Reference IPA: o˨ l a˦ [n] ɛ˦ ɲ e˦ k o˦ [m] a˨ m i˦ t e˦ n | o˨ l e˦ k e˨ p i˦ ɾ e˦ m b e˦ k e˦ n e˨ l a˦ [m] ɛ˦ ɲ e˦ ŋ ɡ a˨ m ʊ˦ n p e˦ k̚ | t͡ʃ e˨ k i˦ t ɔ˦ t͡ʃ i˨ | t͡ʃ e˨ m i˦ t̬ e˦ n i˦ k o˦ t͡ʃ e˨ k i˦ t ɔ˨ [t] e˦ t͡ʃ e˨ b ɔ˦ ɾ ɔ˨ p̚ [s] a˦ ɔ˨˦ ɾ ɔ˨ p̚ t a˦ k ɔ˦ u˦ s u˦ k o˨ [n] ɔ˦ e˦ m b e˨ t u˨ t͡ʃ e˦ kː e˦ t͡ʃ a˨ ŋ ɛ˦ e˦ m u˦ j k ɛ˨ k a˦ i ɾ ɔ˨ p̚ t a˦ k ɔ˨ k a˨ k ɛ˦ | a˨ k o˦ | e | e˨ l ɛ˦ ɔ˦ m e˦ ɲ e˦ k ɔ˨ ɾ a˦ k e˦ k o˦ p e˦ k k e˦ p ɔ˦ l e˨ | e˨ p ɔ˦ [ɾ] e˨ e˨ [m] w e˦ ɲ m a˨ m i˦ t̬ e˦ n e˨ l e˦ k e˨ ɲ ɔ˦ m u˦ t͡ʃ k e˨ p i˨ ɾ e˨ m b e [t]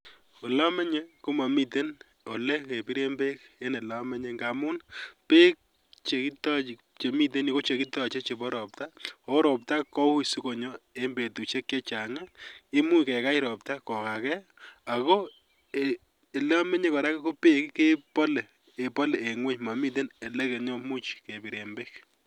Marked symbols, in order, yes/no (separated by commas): no, yes, yes, no, no, no, no, no, no